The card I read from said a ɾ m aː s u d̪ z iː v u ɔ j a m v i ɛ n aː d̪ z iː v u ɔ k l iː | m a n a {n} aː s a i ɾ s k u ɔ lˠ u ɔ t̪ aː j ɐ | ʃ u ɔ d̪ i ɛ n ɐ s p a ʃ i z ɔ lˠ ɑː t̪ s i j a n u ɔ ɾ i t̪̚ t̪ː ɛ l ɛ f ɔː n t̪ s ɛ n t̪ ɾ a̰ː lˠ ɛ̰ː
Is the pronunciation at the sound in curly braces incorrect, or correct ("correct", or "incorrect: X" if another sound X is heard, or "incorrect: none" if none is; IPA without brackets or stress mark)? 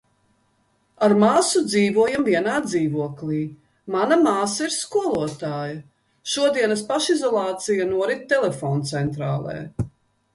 incorrect: m